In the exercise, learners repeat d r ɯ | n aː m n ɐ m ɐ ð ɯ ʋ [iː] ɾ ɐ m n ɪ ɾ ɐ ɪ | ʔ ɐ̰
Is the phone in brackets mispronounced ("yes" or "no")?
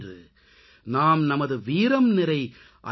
no